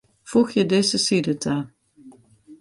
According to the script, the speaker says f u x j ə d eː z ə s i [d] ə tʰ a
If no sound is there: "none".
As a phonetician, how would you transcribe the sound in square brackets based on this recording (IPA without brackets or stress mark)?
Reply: d